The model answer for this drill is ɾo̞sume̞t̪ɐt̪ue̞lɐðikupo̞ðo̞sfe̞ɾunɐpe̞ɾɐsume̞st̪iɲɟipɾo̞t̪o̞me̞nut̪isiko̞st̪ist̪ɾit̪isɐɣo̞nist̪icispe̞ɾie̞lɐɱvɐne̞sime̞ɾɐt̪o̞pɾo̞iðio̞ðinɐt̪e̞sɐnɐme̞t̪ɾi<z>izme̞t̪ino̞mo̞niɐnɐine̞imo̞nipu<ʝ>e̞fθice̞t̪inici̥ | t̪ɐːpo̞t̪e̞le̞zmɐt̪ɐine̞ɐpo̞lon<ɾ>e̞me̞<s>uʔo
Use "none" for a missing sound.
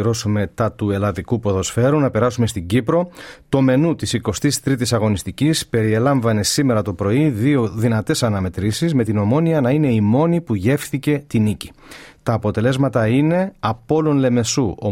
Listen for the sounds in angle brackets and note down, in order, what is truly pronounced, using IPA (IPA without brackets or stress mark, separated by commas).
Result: s, ʝ, l, s